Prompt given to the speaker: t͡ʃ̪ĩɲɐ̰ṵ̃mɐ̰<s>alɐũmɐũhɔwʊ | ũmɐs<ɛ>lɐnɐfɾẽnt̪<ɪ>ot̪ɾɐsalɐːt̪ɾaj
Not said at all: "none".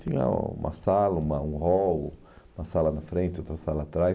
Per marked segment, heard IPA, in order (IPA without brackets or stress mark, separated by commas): s, a, ɪ